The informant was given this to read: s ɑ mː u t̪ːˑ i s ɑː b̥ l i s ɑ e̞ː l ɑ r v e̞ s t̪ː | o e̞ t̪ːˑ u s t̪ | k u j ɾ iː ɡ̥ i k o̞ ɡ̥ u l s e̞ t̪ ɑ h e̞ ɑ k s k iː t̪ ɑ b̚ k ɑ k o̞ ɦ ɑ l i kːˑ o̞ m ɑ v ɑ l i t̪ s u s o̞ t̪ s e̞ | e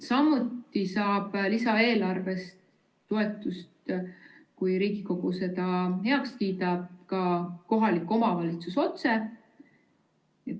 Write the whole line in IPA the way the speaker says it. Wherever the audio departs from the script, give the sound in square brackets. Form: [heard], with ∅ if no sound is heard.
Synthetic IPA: s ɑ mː u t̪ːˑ i s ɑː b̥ l i s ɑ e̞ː l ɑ r v e̞ s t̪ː | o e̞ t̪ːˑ u s t̪ | k u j ɾ iː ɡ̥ i k o̞ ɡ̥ u [∅] s e̞ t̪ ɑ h e̞ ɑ k s k iː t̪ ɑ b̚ k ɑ k o̞ ɦ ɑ l i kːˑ o̞ m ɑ v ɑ l i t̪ s u s o̞ t̪ s e̞ | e